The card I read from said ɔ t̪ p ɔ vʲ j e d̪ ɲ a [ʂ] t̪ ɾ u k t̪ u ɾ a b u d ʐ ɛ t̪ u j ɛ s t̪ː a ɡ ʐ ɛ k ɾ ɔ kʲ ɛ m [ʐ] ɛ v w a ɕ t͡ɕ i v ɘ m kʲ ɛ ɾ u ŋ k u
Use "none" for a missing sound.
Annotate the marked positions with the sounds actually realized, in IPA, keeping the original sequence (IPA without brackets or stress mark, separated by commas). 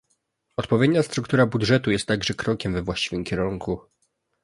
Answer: s, v